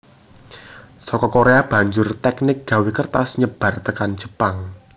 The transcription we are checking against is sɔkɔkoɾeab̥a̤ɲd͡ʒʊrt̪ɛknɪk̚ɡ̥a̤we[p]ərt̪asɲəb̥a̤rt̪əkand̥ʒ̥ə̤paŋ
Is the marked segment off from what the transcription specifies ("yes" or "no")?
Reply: yes